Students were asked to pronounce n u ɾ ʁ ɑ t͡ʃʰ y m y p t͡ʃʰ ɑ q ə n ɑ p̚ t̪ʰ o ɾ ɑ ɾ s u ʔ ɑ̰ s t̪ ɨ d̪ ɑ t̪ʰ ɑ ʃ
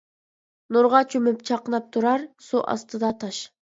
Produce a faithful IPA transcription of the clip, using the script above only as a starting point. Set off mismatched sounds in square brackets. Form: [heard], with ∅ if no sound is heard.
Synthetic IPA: n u ɾ ʁ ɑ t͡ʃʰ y m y p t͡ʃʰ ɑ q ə n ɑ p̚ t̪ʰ [u] ɾ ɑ ɾ s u ʔ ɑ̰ s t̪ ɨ d̪ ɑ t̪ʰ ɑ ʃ